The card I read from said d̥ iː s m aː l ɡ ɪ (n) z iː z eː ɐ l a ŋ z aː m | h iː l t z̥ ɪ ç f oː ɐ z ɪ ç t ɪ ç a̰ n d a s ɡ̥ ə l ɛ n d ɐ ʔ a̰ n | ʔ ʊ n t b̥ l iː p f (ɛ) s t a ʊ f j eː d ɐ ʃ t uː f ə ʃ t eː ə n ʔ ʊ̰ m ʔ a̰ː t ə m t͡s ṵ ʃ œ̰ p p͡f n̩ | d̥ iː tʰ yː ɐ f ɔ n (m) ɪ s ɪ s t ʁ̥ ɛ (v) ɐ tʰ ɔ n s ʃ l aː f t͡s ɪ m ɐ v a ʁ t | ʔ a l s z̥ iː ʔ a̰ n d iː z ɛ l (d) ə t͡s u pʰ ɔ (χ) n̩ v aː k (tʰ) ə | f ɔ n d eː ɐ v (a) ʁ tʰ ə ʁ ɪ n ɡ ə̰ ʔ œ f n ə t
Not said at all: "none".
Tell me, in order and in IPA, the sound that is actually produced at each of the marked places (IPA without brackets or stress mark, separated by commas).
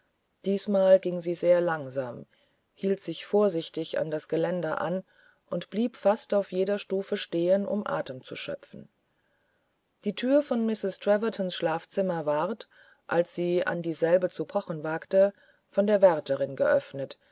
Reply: ŋ, a, m, v, b, χ, t, ɛ